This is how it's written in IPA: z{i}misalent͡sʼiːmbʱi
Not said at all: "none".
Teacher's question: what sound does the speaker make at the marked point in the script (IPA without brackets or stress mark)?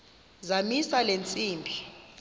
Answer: a